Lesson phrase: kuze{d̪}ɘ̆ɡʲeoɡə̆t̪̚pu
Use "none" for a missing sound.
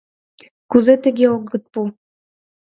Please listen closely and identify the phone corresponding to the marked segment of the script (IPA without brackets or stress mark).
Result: t̪